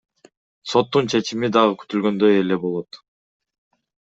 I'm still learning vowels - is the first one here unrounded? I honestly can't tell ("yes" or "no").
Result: no